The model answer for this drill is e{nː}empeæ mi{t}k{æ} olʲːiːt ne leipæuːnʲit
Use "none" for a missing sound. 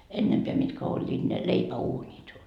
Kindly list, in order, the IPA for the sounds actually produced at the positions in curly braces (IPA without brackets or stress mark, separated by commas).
nː, t, æ